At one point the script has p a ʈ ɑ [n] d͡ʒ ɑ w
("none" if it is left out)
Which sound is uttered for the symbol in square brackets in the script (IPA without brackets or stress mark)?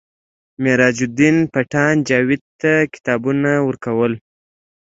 n